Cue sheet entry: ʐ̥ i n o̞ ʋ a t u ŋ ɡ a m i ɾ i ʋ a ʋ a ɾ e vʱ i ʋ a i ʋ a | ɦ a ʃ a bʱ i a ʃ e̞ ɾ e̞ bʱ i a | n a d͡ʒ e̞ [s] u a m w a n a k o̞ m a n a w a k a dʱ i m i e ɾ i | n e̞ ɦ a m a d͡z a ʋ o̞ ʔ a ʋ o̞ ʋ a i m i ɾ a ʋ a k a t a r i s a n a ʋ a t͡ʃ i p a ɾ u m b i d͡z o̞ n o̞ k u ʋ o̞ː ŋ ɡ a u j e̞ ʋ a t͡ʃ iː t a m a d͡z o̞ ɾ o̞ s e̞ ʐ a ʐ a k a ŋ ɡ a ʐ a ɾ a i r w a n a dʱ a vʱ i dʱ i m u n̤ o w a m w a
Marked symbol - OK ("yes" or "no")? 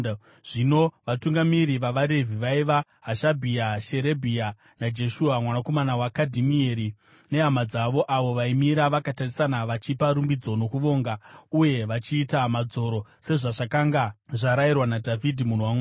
no